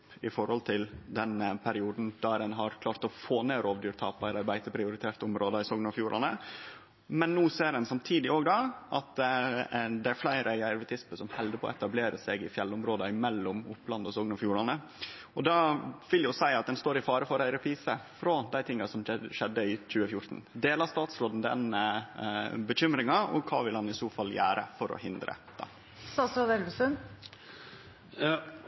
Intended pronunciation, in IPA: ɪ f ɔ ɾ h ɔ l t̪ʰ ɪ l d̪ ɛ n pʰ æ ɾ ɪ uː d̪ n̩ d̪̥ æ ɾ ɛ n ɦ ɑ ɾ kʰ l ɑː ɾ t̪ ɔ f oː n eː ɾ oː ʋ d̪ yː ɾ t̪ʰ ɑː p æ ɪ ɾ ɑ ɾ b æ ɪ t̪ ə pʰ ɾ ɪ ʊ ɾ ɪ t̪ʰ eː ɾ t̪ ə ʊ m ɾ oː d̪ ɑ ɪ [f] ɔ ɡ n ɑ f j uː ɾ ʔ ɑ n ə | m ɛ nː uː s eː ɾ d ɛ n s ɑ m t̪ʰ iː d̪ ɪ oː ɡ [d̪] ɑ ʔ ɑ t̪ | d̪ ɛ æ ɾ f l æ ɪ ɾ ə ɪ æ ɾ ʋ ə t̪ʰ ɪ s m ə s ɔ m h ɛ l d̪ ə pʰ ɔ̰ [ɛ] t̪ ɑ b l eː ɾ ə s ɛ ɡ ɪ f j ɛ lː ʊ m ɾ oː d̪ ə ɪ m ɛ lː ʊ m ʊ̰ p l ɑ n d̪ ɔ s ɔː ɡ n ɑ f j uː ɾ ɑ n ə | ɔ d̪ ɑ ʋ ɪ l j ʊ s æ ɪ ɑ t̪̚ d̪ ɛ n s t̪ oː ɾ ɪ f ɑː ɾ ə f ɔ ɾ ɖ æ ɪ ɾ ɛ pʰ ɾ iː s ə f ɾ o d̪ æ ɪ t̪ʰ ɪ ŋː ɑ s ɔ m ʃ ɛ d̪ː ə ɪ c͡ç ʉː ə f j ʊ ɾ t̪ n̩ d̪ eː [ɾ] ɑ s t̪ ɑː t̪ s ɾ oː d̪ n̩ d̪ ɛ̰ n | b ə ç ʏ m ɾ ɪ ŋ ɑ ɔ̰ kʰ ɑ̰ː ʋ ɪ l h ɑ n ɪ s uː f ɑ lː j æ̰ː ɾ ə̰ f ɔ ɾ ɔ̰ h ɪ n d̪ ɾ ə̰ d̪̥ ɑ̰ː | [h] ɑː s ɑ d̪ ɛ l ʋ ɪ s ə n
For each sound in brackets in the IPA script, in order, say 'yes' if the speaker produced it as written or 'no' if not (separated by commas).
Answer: no, yes, yes, no, no